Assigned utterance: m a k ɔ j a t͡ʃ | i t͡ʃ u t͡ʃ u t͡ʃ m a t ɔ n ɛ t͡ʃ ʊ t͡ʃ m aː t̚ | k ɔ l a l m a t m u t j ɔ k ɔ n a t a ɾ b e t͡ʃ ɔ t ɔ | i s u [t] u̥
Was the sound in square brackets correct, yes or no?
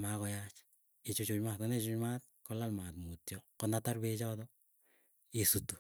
yes